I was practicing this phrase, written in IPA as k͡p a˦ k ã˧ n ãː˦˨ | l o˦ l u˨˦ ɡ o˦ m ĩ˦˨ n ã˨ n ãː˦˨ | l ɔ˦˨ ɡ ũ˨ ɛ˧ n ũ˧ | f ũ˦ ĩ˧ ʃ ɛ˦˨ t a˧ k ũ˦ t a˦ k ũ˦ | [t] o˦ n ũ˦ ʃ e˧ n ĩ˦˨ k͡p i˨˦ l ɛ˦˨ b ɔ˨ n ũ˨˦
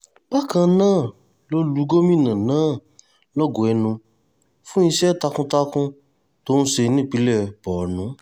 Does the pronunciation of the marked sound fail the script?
no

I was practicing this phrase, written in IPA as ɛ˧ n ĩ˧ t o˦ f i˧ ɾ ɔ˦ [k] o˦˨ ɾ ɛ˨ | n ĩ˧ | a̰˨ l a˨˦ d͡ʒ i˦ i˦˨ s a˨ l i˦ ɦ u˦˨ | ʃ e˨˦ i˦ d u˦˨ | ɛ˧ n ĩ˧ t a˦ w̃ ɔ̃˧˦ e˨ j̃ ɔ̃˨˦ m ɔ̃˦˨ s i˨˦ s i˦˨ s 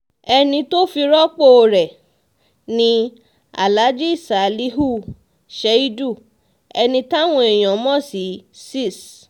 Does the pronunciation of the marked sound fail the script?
yes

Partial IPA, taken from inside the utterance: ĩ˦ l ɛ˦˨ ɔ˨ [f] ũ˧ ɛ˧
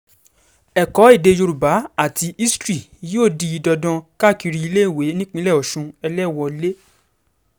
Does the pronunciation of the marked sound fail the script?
yes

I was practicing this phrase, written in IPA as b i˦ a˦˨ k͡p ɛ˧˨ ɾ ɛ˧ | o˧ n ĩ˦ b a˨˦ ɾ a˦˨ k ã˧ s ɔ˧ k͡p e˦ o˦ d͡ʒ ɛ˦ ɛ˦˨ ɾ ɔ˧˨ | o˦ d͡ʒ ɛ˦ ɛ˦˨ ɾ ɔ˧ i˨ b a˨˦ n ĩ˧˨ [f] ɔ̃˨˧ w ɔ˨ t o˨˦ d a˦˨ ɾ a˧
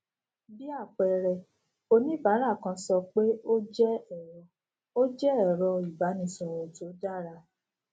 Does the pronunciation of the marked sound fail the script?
yes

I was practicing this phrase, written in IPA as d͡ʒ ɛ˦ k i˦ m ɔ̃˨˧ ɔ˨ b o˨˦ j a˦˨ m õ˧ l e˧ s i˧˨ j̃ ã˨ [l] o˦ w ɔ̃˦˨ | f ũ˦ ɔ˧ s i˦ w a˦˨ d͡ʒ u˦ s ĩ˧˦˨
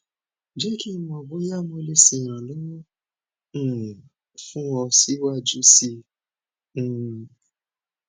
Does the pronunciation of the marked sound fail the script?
no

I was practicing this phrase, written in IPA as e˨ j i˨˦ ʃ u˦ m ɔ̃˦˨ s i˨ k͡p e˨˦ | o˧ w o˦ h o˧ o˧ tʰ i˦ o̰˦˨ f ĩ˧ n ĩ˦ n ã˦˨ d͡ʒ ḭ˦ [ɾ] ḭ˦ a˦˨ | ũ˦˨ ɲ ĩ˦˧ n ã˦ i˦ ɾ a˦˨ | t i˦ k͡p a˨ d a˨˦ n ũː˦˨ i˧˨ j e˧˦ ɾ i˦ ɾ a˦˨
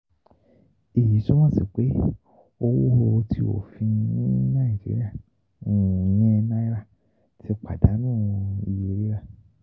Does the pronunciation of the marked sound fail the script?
no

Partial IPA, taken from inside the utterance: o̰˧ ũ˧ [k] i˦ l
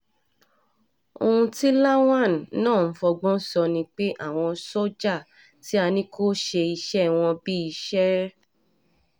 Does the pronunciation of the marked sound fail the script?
yes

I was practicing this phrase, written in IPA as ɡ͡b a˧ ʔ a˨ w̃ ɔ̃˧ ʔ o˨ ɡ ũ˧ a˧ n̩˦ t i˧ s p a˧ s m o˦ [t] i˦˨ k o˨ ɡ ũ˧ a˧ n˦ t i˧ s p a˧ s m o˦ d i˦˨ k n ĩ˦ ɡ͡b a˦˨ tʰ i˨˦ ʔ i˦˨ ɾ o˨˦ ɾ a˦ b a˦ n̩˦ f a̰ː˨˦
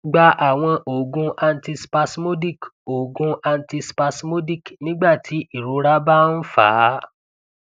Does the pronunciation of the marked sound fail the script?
yes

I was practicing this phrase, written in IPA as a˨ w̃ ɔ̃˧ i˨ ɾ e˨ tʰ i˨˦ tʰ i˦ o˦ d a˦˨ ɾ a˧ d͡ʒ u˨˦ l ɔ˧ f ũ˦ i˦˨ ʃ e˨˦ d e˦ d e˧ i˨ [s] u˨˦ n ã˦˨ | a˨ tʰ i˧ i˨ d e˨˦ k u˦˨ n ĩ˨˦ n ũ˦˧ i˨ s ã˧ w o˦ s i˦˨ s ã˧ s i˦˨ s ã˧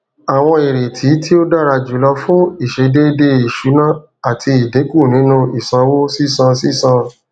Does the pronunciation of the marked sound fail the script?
yes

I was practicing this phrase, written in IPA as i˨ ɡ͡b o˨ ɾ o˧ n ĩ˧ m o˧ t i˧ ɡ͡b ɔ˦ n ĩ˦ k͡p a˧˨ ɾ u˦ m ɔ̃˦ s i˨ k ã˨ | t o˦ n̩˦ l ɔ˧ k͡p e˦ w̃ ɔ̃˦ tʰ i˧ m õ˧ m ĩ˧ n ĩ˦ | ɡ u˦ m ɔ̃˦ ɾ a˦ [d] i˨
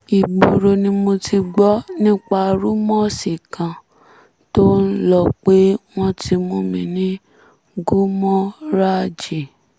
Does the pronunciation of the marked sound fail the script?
yes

